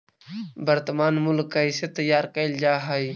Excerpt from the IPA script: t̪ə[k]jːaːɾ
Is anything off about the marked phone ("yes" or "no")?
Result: yes